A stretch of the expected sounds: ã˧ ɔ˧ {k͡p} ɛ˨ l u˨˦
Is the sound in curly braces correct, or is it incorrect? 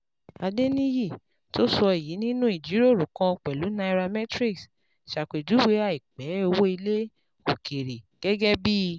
correct